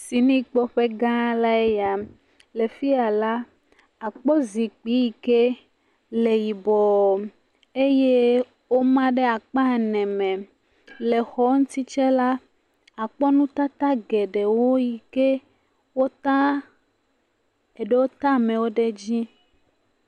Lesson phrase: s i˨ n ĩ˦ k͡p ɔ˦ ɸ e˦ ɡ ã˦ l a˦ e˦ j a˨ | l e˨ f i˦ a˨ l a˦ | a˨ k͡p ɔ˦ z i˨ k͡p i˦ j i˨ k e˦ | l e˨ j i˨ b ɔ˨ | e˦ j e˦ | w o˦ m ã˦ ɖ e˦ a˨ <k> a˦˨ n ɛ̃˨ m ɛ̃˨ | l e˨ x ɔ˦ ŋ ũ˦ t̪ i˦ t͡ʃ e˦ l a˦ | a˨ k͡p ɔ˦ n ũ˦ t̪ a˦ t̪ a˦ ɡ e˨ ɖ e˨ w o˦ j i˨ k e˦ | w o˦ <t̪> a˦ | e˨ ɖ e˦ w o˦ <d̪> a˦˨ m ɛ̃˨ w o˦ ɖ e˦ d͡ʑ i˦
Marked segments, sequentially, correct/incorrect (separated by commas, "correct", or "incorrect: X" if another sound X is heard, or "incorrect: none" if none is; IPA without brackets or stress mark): incorrect: k͡p, correct, incorrect: t̪